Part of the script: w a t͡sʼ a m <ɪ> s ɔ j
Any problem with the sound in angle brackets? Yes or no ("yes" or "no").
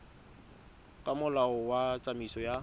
yes